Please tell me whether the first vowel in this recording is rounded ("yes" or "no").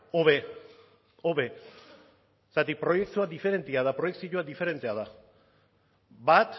yes